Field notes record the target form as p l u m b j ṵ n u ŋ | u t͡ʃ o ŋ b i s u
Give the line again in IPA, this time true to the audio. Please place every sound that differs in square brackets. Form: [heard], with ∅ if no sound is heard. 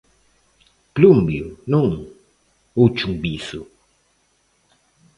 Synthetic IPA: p l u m b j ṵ n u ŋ | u t͡ʃ [u] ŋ b i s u